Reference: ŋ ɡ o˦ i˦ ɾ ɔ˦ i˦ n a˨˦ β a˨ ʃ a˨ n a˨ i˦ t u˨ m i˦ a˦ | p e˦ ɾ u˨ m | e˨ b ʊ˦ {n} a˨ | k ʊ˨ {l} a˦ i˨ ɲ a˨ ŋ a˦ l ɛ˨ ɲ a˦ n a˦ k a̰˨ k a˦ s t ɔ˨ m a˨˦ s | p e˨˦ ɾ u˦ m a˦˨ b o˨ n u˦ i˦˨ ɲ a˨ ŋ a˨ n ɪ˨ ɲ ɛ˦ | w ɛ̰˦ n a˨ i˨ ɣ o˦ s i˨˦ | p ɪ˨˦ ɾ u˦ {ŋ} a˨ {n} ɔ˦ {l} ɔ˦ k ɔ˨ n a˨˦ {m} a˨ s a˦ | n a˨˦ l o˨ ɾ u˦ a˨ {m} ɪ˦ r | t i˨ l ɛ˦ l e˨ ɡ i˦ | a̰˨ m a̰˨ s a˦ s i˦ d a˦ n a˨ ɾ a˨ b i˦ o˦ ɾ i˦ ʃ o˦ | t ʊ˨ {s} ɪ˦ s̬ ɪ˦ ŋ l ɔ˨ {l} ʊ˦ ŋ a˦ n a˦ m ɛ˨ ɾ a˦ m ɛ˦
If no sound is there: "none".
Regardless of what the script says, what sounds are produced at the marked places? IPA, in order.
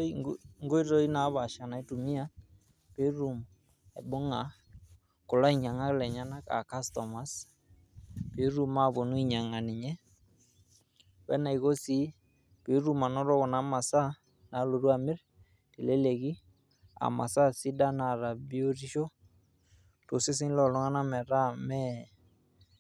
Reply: ŋ, l, m, n, ɾ, m, m, s, l

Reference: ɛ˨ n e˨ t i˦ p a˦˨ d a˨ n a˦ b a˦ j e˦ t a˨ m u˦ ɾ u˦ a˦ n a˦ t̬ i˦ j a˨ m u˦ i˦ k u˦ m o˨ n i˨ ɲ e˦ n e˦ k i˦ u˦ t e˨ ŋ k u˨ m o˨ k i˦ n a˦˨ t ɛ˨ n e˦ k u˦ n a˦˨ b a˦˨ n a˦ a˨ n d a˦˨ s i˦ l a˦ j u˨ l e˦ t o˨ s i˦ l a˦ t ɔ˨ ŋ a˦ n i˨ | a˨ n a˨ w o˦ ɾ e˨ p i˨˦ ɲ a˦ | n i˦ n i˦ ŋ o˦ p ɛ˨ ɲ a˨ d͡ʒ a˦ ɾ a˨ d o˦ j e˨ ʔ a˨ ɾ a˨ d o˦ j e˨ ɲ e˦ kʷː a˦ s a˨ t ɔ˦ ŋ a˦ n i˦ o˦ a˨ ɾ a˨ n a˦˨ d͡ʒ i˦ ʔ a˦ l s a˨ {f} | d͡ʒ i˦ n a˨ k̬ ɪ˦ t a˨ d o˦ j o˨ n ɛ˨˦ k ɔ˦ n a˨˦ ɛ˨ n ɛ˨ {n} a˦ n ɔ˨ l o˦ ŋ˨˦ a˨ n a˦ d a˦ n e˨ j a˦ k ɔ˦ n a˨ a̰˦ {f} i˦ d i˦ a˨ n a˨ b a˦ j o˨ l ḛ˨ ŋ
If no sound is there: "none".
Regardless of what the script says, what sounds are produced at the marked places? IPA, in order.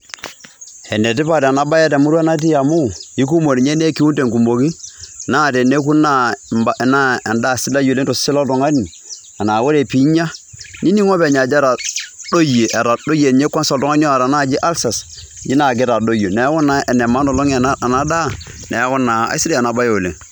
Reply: s, m, s

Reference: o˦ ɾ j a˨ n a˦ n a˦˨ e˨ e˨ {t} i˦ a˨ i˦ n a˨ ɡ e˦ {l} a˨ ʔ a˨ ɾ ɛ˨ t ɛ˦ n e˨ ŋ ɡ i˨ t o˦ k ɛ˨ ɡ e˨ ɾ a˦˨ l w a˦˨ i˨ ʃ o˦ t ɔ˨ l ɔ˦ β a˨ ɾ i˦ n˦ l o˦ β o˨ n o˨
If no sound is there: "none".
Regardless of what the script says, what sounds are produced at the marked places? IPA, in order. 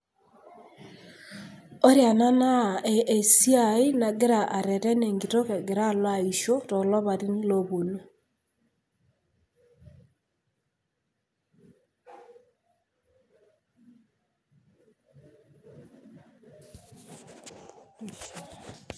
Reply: s, ɾ

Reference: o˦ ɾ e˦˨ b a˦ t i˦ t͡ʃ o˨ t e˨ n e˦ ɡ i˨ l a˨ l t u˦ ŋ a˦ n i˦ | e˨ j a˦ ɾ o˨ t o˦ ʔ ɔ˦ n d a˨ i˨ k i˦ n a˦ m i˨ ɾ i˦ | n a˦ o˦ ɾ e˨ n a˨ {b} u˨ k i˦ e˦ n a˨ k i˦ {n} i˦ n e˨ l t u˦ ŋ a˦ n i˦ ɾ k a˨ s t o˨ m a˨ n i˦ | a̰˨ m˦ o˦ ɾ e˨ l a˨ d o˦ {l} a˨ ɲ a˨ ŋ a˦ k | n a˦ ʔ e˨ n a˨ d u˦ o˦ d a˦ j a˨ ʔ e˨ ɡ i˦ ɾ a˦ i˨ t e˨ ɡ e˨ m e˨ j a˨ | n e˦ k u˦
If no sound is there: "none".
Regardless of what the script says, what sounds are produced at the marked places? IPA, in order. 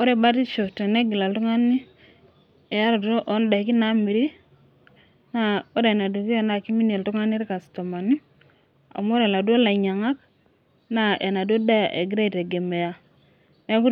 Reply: d, m, l

